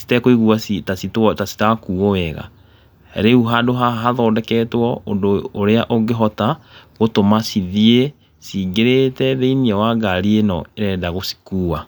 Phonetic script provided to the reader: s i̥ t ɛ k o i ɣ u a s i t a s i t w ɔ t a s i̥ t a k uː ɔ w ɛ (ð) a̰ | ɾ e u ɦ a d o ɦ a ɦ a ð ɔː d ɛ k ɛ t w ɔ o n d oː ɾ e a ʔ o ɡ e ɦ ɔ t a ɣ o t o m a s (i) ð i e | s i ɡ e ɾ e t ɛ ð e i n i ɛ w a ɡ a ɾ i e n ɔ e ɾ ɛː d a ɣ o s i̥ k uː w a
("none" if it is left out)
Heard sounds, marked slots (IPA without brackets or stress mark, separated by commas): ɣ, i